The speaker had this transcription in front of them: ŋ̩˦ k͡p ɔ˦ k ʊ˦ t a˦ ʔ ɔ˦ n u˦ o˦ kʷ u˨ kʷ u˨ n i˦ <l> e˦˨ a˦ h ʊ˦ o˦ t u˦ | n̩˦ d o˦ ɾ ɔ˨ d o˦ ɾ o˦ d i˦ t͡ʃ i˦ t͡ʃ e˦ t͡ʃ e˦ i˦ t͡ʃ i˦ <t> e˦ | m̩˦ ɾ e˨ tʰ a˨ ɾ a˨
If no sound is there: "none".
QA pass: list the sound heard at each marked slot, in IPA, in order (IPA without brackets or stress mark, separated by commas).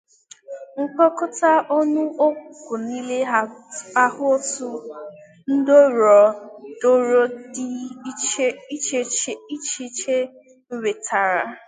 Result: l, t͡ʃ